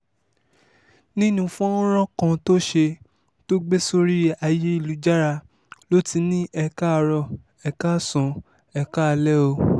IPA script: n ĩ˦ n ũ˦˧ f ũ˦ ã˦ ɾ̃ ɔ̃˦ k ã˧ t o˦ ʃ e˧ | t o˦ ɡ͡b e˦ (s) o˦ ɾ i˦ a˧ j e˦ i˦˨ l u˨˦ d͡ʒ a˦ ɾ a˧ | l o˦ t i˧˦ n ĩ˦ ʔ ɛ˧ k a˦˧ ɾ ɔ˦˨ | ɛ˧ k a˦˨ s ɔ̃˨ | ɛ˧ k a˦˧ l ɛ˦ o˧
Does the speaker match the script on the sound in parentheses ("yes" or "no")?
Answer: yes